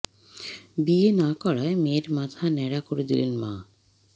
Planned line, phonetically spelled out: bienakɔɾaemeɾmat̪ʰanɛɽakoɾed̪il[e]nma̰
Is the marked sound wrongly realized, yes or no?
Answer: no